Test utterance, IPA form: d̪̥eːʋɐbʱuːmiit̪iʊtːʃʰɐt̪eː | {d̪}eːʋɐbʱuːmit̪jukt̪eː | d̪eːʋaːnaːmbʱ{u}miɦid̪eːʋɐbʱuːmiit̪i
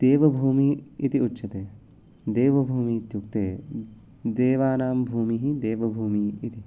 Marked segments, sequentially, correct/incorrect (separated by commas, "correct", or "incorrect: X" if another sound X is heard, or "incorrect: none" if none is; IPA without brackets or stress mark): correct, incorrect: uː